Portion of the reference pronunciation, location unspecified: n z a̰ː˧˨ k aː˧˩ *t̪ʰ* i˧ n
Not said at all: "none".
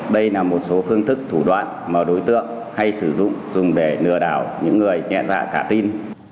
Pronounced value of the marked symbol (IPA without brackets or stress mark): t̪